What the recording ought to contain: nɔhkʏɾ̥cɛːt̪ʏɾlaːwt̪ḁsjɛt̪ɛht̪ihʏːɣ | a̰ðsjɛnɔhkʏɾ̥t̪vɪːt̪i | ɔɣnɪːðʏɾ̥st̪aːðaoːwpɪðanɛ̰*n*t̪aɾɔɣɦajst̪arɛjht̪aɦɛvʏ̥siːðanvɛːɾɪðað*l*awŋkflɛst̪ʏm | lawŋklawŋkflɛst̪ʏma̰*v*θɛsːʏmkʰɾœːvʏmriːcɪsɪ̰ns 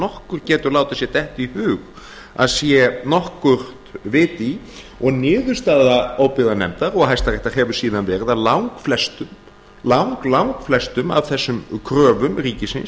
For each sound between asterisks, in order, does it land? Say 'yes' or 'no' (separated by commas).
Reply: no, yes, yes